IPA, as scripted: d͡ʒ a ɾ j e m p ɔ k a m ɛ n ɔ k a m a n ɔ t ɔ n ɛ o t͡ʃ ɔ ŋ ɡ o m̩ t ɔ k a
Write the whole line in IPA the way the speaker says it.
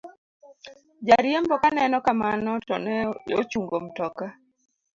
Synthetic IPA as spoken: d͡ʒ a ɾ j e m b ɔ k a n ɛ n ɔ k a m a n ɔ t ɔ n ɛ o t͡ʃ u ŋ ɡ o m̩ t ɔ k a